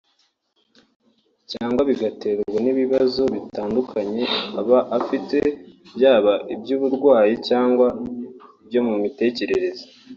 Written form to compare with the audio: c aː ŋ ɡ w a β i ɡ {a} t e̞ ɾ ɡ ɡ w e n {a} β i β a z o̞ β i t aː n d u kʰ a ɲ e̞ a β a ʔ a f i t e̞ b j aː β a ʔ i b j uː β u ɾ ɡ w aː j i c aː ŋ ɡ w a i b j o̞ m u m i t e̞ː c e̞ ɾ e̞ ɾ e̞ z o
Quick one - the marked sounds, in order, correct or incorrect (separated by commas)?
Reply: correct, incorrect